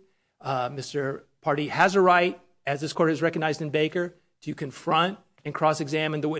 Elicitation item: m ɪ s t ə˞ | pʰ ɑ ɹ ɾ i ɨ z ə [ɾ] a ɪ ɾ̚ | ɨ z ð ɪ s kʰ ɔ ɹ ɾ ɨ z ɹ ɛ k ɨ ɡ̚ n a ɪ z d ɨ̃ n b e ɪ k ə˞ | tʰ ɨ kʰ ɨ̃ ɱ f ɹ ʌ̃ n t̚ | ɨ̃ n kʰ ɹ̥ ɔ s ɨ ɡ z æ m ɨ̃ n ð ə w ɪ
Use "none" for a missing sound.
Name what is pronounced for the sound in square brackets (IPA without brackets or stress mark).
ɹ